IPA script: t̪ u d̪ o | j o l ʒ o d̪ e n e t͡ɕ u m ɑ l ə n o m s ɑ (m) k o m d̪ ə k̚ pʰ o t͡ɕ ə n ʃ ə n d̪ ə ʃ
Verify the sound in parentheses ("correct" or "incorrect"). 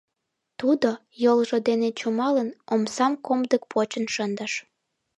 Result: correct